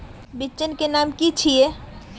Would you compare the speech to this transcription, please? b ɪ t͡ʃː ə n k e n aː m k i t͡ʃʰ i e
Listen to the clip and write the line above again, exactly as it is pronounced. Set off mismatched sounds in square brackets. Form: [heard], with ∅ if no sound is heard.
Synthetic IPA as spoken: b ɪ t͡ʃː ə n k e n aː m k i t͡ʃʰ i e